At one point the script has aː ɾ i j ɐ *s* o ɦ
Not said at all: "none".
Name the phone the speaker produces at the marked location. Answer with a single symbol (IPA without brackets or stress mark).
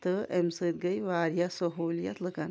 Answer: s